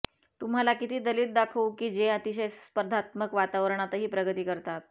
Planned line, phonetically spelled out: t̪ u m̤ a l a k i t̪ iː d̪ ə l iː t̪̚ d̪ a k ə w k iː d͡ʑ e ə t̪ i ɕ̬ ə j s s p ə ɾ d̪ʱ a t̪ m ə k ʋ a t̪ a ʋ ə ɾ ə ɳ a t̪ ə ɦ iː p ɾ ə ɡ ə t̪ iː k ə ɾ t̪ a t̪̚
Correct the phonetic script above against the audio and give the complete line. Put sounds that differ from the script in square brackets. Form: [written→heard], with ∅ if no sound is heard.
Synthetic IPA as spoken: t̪ u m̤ a l a k i t̪ iː d̪ ə l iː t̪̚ d̪ a [k→kʰ] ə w k iː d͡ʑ e ə t̪ i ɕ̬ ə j s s p ə ɾ d̪ʱ a t̪ m ə k ʋ a t̪ a ʋ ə ɾ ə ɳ a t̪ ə ɦ iː p ɾ ə ɡ ə t̪ iː k ə ɾ t̪ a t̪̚